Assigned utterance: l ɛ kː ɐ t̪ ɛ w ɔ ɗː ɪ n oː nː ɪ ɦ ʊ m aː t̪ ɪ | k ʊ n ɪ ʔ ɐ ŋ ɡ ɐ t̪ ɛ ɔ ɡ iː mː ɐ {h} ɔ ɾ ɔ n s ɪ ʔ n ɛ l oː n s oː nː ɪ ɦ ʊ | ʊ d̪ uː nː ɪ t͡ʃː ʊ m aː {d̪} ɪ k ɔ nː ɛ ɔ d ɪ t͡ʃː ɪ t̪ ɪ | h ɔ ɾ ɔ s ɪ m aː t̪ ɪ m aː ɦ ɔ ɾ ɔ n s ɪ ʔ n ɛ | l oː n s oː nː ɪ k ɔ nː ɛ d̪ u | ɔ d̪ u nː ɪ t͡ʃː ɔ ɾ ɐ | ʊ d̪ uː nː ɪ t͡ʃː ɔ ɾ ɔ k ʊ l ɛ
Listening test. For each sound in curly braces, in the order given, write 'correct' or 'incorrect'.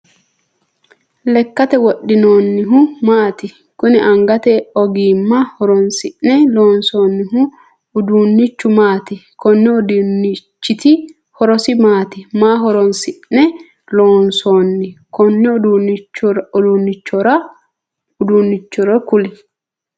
correct, incorrect: t̪

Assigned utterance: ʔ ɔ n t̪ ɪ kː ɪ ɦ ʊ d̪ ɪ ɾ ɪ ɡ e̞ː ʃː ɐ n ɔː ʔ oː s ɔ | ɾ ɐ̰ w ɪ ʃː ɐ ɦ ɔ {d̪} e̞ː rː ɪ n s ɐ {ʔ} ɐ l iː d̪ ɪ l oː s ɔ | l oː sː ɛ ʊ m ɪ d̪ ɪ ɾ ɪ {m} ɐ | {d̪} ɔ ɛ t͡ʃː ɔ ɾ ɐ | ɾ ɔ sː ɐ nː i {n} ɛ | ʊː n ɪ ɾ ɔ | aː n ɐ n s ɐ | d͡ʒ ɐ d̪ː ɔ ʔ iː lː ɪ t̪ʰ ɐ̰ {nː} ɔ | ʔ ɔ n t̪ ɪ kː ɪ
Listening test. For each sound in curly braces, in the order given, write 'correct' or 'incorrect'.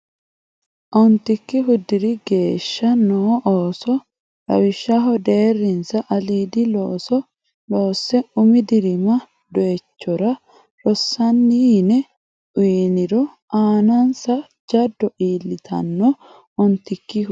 correct, correct, correct, correct, correct, correct

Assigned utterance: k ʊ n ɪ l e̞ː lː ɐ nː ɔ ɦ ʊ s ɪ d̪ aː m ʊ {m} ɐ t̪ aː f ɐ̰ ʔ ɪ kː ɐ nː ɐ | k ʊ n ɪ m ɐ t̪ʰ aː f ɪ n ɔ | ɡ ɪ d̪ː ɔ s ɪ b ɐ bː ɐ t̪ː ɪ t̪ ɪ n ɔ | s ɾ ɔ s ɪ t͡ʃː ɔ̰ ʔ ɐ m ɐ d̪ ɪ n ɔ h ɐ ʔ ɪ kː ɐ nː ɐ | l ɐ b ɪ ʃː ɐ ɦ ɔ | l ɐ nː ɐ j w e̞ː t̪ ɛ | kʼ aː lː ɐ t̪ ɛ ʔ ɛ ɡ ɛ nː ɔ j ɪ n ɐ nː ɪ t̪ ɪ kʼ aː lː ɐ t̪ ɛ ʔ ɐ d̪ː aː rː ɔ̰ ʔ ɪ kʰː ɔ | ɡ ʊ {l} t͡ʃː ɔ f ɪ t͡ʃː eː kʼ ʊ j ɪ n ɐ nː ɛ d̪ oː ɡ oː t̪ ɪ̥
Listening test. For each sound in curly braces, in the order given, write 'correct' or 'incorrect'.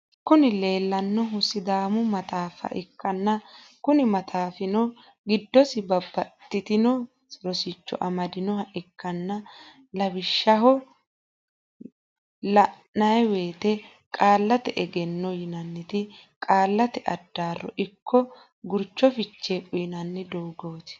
correct, incorrect: ɾ

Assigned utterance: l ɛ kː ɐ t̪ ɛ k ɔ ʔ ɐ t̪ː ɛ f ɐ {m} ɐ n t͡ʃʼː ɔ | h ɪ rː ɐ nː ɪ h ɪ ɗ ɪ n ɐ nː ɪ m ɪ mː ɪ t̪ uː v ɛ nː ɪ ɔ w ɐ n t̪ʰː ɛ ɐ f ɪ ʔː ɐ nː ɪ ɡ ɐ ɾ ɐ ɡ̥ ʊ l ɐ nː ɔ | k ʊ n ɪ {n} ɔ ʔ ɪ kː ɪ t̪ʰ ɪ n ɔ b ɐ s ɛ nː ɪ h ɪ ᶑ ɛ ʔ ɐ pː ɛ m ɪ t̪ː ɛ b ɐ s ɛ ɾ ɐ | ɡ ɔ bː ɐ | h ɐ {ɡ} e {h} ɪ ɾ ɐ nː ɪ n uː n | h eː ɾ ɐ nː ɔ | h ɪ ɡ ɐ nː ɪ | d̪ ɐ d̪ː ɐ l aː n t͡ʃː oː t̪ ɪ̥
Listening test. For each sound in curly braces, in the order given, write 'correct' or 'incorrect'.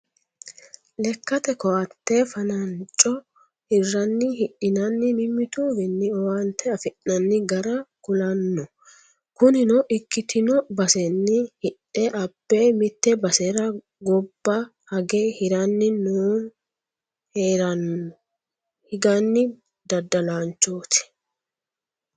incorrect: n, correct, correct, correct

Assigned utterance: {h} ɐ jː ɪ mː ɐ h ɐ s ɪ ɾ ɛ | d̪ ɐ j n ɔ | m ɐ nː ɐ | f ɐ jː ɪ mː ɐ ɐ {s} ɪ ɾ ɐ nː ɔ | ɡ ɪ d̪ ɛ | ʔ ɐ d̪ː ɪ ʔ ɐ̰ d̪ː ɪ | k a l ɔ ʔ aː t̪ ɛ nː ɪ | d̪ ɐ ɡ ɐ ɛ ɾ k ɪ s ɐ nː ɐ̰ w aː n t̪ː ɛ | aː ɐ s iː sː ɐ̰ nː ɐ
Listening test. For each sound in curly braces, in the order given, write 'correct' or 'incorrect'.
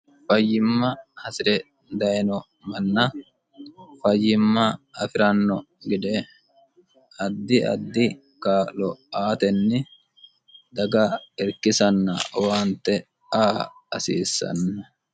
incorrect: f, incorrect: f

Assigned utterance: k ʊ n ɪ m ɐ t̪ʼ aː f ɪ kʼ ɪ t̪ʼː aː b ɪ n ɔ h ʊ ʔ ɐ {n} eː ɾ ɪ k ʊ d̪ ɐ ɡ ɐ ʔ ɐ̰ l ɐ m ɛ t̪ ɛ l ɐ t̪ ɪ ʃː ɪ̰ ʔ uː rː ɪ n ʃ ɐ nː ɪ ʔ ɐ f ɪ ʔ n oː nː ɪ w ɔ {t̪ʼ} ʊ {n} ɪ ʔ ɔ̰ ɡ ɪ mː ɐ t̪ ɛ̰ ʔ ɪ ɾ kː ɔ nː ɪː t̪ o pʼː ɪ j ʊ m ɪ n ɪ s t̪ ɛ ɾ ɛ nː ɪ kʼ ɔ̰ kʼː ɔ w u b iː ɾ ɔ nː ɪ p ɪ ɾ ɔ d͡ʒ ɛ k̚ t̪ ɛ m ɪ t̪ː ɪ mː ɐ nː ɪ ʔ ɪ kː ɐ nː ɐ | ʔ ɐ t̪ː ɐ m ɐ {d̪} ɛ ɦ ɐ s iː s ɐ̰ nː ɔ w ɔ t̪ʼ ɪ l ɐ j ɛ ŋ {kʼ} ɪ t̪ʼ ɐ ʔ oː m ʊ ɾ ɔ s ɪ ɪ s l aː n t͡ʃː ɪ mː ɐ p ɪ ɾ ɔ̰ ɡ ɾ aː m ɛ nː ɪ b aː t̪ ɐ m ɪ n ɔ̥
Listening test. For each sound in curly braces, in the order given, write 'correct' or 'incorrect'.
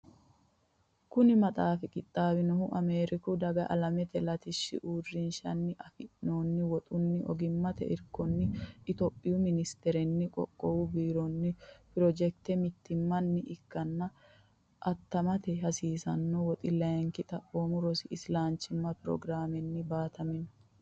incorrect: m, correct, incorrect: nː, incorrect: t̪, incorrect: k

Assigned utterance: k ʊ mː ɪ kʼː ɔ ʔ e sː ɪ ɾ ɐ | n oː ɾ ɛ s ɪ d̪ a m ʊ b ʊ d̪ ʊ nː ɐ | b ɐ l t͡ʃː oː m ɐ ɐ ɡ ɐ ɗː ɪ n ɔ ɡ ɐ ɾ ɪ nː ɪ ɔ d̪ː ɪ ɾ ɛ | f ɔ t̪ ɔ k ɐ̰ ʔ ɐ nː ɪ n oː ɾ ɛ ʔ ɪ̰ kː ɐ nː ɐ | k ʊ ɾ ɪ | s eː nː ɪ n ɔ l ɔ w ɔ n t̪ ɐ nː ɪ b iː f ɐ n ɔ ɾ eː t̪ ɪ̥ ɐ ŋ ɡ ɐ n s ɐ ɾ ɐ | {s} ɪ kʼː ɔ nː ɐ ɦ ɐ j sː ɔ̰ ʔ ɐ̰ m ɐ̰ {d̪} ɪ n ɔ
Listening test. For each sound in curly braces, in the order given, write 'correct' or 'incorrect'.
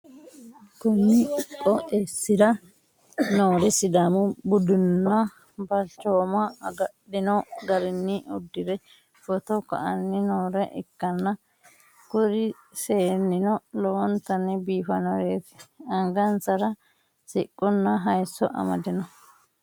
correct, correct

